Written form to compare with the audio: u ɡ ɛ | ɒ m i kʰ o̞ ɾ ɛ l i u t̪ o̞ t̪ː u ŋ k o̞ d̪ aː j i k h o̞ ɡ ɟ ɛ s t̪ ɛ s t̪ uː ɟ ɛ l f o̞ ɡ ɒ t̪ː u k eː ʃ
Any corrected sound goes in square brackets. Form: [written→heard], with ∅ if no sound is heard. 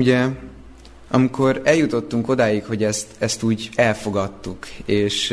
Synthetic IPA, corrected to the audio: u [ɡ→ɟ] ɛ | ɒ m i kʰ o̞ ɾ ɛ l [i→j] u t̪ o̞ t̪ː u ŋ k o̞ d̪ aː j i k h o̞ [ɡ→∅] ɟ ɛ s t̪ ɛ s t̪ uː ɟ ɛ l f o̞ ɡ ɒ t̪ː u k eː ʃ